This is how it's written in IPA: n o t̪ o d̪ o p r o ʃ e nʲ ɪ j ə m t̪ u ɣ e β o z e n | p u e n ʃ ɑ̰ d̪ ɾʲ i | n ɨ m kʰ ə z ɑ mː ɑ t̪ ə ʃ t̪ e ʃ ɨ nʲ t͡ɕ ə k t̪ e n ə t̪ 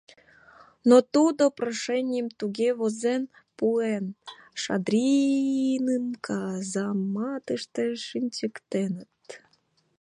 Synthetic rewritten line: n o t̪ u d̪ o p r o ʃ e nʲ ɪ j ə m t̪ u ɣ e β o z e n | p u e n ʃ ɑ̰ d̪ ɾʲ i | n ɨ m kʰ ɑ z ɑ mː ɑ t̪ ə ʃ t̪ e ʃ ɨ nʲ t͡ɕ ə k t̪ e n ə t̪